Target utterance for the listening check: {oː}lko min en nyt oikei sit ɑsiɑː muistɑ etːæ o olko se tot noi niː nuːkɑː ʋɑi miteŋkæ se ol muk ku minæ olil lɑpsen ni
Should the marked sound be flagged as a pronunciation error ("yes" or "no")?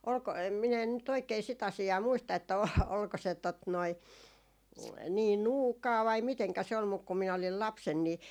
yes